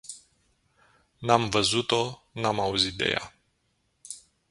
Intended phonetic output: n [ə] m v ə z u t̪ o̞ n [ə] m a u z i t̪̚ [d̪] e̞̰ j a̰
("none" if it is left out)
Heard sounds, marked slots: a, a, d̪

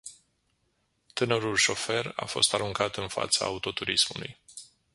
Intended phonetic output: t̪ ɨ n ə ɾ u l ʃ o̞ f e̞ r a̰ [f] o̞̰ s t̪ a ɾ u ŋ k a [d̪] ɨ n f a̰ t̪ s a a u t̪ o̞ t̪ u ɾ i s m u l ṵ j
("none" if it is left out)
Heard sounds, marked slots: f, t̪

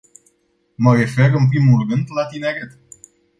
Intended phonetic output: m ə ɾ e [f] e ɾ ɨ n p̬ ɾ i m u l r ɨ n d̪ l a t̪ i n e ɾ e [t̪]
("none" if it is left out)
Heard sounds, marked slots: f, t̪

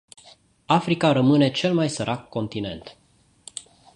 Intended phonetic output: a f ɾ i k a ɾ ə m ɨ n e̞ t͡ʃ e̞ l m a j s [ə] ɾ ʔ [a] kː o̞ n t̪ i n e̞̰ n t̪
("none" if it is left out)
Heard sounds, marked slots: ə, a

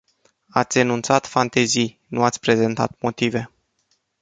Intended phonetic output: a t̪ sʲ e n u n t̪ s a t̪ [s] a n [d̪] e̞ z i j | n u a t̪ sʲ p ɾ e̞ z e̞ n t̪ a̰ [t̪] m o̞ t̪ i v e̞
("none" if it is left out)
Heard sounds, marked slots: f, t̪, t̪

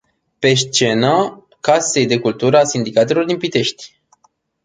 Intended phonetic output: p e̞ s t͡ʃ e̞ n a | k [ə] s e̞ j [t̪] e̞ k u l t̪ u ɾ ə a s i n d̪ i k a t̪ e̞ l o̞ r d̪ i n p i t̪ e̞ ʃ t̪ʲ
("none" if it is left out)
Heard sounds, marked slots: a, d̪

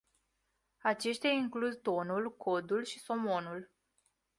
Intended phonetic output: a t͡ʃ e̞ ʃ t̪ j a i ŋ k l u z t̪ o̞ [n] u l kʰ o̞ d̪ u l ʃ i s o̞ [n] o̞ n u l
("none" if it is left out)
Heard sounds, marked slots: n, m

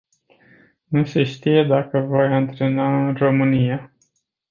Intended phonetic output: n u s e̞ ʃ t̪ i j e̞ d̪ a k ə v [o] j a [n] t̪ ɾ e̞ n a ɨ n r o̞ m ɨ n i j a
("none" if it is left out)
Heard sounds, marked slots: o, n

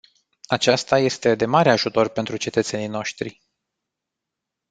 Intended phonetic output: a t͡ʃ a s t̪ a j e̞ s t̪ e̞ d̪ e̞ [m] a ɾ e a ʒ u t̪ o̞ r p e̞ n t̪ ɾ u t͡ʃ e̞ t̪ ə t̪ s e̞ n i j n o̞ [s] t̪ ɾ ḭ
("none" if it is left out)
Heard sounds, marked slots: m, ʃ

